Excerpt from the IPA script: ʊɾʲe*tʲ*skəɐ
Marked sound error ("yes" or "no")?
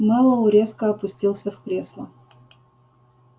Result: yes